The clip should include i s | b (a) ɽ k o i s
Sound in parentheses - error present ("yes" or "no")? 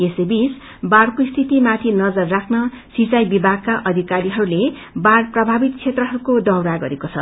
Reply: no